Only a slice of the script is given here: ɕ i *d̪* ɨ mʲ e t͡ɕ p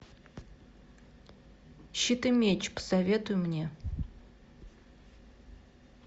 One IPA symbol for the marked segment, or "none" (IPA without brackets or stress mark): t̪